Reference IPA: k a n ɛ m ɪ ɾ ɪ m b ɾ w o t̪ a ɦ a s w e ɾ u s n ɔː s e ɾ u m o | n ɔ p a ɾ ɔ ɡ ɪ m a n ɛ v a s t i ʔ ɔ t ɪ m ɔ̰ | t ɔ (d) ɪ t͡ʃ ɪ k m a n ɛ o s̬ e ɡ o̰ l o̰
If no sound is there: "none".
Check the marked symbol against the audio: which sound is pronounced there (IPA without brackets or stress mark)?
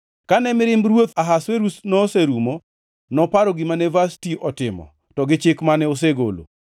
ɡ